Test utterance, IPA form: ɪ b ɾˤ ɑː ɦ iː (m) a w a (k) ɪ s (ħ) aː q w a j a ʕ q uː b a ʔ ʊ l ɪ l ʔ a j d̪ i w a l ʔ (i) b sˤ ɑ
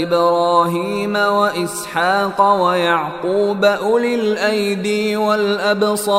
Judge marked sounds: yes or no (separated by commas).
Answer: yes, no, yes, no